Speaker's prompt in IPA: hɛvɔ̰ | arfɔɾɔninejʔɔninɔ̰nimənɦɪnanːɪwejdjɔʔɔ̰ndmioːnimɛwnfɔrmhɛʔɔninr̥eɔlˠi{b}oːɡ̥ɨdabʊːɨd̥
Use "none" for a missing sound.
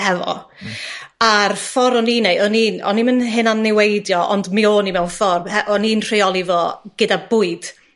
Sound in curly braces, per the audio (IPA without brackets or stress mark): v